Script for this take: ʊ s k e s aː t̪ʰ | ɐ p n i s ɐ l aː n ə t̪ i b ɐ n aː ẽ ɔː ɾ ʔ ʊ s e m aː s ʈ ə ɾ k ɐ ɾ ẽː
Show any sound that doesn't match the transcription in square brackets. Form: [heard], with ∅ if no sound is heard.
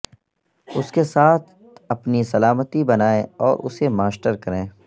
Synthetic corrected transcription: ʊ s k e s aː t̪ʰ | ɐ p n i s ɐ l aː [m] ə t̪ i b ɐ n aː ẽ ɔː ɾ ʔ ʊ s e m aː s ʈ ə ɾ k ɐ ɾ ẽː